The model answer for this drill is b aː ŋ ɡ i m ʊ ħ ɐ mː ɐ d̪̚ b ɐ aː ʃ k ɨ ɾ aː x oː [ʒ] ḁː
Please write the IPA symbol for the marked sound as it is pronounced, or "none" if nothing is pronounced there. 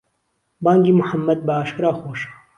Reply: ʃ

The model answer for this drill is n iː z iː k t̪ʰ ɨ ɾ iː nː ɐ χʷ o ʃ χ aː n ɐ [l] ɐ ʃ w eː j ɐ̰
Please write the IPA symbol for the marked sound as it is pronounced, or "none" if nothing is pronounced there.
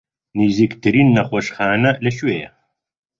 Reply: l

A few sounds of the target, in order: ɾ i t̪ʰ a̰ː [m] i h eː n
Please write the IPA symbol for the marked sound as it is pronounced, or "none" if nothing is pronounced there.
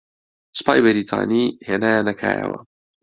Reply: n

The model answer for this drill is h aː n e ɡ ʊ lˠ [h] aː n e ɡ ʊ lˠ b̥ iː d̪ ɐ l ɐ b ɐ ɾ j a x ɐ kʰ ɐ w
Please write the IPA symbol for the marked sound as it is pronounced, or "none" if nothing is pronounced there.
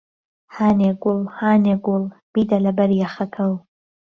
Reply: h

